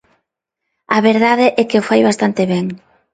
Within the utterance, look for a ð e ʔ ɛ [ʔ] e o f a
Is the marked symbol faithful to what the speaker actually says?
no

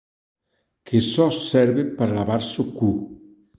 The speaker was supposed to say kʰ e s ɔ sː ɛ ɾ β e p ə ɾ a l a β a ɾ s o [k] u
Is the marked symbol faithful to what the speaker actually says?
yes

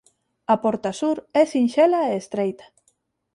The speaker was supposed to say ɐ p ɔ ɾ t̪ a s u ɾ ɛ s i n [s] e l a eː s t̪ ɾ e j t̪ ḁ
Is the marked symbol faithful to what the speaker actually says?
no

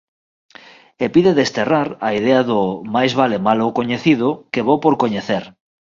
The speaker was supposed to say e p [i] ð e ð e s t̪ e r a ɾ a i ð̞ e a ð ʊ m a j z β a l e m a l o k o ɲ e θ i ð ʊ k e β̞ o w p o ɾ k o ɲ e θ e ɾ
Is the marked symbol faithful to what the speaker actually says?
yes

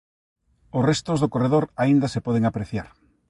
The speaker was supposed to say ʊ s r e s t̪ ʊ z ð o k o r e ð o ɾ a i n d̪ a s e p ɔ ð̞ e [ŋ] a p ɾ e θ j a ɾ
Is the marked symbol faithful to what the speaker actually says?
yes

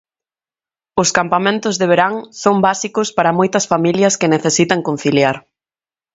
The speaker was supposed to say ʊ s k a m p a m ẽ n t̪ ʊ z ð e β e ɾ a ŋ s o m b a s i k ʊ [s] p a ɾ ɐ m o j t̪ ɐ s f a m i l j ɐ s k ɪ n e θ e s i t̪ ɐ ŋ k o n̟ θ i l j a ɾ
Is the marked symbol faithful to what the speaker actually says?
yes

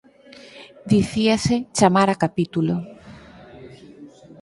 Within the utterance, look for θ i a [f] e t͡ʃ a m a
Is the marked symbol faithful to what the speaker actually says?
no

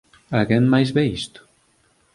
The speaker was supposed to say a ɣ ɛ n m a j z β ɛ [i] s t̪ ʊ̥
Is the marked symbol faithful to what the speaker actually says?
yes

